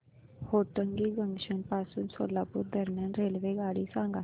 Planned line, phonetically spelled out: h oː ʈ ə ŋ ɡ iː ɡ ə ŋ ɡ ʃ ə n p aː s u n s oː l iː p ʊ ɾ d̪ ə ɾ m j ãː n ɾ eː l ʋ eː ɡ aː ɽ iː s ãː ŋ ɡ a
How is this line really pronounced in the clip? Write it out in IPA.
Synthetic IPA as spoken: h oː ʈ ə ŋ ɡ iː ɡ ə ŋ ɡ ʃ ə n p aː s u n s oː l aː p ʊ ɾ d̪ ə ɾ m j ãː n ɾ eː l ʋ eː ɡ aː ɽ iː s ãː ŋ ɡ a